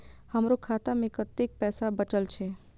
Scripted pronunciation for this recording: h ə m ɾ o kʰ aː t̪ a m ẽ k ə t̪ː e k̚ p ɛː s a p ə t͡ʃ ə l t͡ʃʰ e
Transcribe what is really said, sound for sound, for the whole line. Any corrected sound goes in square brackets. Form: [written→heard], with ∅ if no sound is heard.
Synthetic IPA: h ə m ɾ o kʰ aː t̪ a m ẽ k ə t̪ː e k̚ p ɛː s a [p→b] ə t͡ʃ ə l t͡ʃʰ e